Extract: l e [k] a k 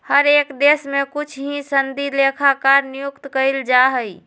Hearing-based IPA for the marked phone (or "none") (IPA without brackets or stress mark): kʰ